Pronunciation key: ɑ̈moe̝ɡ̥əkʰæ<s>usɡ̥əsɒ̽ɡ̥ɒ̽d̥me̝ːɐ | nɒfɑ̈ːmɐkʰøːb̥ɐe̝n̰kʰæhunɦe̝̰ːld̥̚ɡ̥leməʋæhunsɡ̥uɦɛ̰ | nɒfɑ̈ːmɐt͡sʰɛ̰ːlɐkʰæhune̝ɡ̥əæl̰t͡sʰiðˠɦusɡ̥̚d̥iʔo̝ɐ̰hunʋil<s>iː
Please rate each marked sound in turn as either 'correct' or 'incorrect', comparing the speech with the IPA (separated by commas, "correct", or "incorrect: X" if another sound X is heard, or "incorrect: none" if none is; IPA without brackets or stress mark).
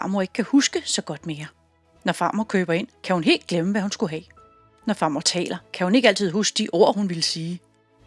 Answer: incorrect: h, correct